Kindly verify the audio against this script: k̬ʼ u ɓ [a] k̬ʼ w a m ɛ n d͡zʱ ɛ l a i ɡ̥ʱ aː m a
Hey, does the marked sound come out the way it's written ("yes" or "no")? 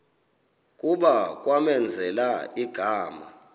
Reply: yes